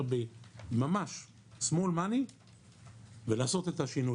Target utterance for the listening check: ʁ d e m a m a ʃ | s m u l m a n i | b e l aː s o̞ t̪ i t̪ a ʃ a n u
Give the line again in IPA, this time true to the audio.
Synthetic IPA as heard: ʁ b e m a m a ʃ | s m o l m a n i | v e l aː s o̞ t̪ e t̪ a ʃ i n u